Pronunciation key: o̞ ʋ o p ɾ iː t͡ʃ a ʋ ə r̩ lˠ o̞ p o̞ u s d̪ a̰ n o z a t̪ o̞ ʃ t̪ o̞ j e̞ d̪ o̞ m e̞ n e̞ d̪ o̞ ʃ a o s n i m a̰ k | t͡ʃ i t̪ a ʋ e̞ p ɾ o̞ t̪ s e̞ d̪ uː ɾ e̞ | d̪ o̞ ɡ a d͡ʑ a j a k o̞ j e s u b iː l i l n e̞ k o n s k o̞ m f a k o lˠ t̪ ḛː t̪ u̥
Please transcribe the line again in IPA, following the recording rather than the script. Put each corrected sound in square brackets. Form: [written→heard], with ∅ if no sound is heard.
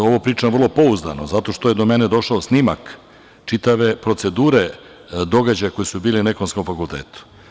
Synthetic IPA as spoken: o̞ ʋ o p ɾ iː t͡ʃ a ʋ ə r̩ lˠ o̞ p o̞ u [s→z] d̪ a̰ n o z a t̪ o̞ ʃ t̪ o̞ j e̞ d̪ o̞ m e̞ n e̞ d̪ o̞ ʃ a o s n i m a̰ k | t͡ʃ i t̪ a ʋ e̞ p ɾ o̞ t̪ s e̞ d̪ uː ɾ e̞ | d̪ o̞ ɡ a d͡ʑ a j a k o̞ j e s u b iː l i [l→∅] n e̞ k o n s k o̞ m f a k [o→u] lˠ t̪ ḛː t̪ u̥